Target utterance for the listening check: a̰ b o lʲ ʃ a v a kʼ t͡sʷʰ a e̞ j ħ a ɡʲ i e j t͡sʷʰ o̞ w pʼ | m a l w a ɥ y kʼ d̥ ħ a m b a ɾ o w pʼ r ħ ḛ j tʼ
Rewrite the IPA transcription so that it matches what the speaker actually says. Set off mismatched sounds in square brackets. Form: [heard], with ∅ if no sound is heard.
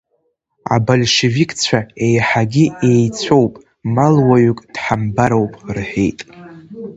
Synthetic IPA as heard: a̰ b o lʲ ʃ [e] v [i] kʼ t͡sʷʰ a e̞ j ħ a ɡʲ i e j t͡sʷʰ o̞ w pʼ | m a l w a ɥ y kʼ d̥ ħ a m b a ɾ o w pʼ r ħ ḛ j tʼ